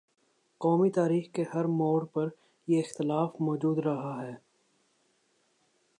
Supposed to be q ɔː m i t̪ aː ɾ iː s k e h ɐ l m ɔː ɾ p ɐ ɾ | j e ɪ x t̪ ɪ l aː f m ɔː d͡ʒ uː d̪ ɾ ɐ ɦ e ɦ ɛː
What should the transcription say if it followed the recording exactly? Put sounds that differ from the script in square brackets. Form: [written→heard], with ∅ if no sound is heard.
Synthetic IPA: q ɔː m i t̪ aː ɾ iː [s→x] k e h ɐ [l→ɾ] m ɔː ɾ p ɐ ɾ | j e ɪ x t̪ ɪ l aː f m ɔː d͡ʒ uː d̪ ɾ ɐ ɦ [e→a] ɦ ɛː